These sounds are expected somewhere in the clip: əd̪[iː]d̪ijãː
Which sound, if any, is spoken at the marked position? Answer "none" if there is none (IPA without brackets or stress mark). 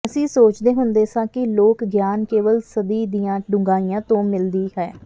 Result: iː